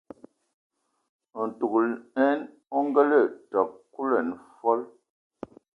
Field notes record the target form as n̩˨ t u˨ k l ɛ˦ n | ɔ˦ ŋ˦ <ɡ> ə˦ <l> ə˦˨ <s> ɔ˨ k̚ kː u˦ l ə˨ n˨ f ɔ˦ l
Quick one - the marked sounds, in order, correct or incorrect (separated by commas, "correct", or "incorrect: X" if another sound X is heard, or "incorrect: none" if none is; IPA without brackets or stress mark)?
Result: correct, correct, incorrect: t